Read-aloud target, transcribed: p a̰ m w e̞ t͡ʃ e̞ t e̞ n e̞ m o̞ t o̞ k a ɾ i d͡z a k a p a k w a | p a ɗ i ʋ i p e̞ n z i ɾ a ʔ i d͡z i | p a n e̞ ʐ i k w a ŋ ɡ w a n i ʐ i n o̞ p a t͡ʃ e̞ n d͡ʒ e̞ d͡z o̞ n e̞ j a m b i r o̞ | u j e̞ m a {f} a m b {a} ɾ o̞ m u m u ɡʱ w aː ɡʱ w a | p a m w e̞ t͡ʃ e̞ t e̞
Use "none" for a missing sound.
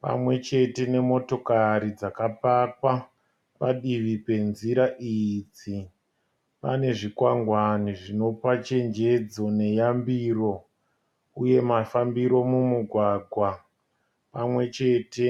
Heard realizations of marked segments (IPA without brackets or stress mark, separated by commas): f, i